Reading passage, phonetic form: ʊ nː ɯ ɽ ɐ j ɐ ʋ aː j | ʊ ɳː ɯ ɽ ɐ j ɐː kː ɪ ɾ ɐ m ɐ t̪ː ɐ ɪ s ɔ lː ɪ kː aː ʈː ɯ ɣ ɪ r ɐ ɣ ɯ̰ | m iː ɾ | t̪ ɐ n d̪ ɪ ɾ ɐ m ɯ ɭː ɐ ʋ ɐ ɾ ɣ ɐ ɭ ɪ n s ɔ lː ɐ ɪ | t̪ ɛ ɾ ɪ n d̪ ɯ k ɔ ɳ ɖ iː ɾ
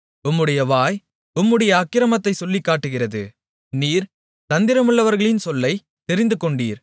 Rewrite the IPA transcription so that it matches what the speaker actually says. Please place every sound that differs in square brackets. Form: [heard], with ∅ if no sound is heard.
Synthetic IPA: ʊ [mː] ɯ ɽ ɐ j ɐ ʋ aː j | ʊ [mː] ɯ ɽ ɐ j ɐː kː ɪ ɾ ɐ m ɐ t̪ː ɐ ɪ s ɔ lː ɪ kː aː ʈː ɯ ɣ ɪ r ɐ [ð] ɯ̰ | [n] iː ɾ | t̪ ɐ n d̪ ɪ ɾ ɐ m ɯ ɭː ɐ ʋ ɐ ɾ ɣ ɐ ɭ ɪ n s ɔ lː ɐ ɪ | t̪ ɛ ɾ ɪ n d̪ ɯ k ɔ ɳ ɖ iː ɾ